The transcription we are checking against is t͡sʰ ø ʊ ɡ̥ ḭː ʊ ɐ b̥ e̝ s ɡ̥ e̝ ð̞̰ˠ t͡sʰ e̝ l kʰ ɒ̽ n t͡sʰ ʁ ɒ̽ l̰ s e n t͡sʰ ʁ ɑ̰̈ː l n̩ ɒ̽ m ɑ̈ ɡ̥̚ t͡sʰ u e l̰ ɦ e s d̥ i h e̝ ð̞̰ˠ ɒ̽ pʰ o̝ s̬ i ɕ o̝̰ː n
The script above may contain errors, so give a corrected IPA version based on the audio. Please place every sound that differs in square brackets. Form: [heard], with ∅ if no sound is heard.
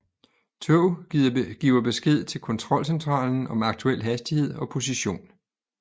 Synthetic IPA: t͡sʰ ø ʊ ɡ̥ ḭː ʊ ɐ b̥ e̝ s ɡ̥ e̝ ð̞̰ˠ t͡sʰ e̝ l kʰ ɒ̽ n t͡sʰ ʁ ɒ̽ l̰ s e n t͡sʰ ʁ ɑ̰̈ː l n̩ ɒ̽ m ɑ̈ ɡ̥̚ t͡sʰ u e l̰ ɦ [æ] s d̥ i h e̝ ð̞̰ˠ ɒ̽ pʰ o̝ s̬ i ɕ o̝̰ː n